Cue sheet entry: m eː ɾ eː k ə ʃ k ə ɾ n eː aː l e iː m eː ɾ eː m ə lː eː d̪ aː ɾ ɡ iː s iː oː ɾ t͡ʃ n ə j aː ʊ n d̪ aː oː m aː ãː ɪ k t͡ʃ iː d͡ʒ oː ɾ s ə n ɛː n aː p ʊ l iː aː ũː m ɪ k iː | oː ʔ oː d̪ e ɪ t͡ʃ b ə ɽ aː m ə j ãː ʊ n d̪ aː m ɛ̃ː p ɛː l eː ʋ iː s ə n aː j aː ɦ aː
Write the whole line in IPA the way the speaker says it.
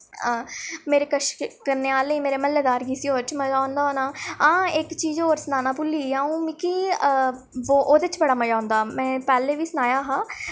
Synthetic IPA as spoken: m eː ɾ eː k ə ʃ k ə ɾ n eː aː l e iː m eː ɾ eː m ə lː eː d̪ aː ɾ ɡ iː s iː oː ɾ t͡ʃ m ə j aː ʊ n d̪ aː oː n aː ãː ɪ k t͡ʃ iː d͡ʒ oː ɾ s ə n aː n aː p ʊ l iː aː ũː m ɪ k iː | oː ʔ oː d̪ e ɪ t͡ʃ b ə ɽ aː m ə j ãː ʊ n d̪ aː m ɛ̃ː p ɛː l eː ʋ iː s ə n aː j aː ɦ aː